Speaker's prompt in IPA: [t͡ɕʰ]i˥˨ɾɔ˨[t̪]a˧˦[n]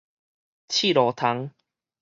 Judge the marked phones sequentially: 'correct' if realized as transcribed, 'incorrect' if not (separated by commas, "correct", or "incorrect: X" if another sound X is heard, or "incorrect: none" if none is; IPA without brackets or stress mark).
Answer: correct, incorrect: t̪ʰ, incorrect: ŋ